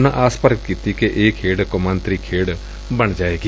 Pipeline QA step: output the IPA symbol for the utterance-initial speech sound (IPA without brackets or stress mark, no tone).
n